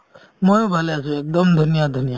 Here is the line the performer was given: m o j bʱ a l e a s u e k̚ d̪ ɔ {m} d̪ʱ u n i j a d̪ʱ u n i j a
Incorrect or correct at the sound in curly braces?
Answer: correct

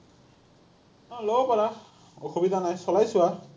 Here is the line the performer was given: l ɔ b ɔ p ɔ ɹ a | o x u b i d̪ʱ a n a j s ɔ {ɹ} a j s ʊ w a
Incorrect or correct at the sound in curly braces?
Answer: incorrect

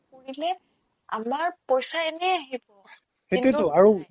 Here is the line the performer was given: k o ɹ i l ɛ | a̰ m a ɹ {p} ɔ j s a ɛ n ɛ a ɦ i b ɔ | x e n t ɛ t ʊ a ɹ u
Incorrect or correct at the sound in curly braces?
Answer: correct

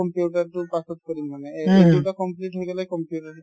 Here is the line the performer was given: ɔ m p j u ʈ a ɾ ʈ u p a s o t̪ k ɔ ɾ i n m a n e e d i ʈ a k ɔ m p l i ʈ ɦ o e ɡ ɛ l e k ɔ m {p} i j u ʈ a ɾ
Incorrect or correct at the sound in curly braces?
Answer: correct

